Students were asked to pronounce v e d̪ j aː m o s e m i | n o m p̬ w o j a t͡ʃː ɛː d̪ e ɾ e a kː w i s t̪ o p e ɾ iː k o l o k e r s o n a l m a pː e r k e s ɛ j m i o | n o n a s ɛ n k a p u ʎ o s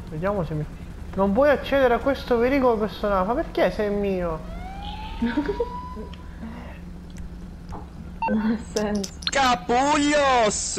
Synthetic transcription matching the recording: v e d̪ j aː m o s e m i | n o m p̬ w ɔ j a t͡ʃː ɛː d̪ e ɾ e a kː w e s t̪ o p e ɾ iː k o l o p e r s o n a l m a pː e r k e s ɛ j m iː o | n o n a s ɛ n k a p u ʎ o s